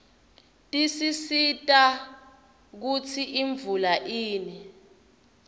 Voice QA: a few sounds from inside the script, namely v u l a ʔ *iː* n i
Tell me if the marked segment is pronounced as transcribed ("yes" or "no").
yes